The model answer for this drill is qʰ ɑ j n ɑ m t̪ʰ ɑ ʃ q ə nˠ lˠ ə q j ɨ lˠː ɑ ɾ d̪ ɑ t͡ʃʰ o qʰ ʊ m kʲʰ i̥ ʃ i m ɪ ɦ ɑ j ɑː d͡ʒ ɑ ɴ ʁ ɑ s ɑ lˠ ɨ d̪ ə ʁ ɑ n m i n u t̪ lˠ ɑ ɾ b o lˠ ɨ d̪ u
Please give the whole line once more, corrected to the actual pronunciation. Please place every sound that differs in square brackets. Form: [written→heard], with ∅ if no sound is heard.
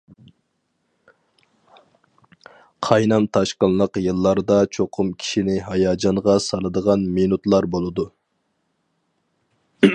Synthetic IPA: qʰ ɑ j n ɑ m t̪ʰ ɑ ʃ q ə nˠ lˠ ə q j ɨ lˠː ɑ ɾ d̪ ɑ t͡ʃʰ o qʰ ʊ m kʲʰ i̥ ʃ i [m→n] ɪ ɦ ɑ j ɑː d͡ʒ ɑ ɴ ʁ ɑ s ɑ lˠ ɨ d̪ ə ʁ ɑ n m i n u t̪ lˠ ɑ ɾ b o lˠ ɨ d̪ u